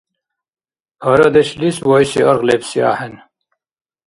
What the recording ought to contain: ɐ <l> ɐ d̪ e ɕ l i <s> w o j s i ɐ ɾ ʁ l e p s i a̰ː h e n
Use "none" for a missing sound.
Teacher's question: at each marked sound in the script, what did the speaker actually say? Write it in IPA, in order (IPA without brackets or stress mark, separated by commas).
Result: ɾ, s